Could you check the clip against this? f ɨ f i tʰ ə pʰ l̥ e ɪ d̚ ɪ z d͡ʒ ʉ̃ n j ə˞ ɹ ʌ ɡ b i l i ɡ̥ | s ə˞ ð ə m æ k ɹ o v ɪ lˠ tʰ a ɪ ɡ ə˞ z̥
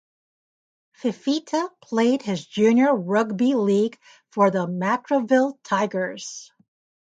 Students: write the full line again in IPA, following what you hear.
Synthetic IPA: f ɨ f i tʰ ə pʰ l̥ e ɪ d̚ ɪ z d͡ʒ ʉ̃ n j ə˞ ɹ ʌ ɡ b i l i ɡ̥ | f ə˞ ð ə m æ k ɹ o v ɪ lˠ tʰ a ɪ ɡ ə˞ z̥